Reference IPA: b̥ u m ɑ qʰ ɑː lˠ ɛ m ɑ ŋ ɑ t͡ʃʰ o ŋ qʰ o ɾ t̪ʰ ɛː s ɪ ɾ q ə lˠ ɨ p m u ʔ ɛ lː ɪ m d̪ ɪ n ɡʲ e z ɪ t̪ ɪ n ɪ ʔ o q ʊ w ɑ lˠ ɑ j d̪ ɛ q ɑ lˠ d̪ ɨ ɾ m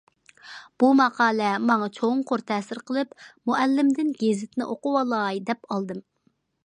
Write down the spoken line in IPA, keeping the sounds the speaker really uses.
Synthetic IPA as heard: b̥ u m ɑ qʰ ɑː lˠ ɛ m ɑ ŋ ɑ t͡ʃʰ o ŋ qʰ o ɾ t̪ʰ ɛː s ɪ ɾ q ə lˠ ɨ p m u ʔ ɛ lː ɪ m d̪ ɪ n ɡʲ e z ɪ t̪ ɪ n ɪ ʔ o q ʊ w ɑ lˠ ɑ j d̪ ɛ p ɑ lˠ d̪ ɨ m